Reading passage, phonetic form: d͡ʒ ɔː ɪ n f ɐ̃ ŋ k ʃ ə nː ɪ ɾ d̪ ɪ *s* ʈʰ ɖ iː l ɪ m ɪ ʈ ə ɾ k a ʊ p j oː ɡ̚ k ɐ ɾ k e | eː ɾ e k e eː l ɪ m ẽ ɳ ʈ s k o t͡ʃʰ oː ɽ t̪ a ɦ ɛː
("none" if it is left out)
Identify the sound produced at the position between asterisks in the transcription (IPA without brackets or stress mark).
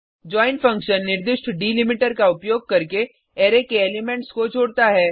ʃ